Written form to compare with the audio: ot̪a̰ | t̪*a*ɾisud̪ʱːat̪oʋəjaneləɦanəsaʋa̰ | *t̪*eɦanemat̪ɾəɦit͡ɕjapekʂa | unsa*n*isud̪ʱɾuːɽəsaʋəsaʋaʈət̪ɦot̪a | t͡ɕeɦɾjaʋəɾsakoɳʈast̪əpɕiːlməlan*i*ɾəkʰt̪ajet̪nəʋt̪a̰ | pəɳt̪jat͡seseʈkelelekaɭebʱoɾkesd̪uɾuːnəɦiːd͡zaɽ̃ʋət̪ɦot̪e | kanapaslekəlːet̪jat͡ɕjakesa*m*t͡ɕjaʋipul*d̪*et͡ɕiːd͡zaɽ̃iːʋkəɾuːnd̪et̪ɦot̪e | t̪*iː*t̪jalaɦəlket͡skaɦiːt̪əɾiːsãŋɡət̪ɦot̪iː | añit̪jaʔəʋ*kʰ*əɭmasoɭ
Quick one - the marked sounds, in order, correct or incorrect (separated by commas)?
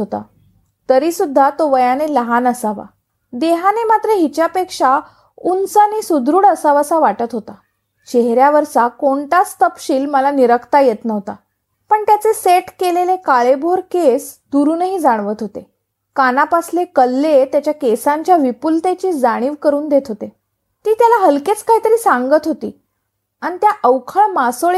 incorrect, incorrect, correct, correct, incorrect, incorrect, correct, correct